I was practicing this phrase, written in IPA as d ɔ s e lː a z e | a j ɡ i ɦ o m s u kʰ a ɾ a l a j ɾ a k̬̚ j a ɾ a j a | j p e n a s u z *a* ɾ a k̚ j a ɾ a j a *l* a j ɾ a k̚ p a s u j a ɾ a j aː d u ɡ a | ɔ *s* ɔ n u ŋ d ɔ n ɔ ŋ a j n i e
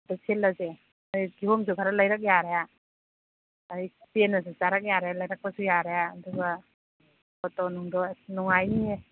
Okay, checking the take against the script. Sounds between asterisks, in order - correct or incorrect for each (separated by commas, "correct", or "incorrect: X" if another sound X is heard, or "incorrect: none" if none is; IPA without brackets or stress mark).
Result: correct, correct, incorrect: t